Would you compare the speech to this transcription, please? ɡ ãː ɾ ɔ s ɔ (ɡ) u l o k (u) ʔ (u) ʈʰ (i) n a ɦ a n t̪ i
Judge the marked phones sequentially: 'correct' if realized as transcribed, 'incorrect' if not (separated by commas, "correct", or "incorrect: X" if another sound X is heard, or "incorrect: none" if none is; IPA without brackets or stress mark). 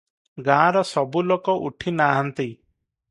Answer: incorrect: b, incorrect: ɔ, correct, correct